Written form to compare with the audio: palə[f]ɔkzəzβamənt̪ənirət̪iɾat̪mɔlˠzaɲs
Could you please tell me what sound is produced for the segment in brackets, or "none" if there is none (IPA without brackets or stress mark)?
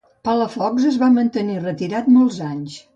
f